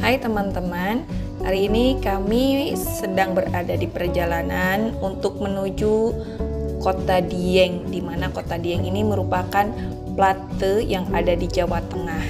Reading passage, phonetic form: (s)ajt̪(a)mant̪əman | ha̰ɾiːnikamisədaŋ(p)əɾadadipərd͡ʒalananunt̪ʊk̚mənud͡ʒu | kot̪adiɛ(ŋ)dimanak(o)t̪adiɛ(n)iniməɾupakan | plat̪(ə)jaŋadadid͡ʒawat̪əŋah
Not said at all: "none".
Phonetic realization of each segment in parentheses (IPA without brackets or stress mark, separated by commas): h, ə, b, ŋ, o, ŋ, ə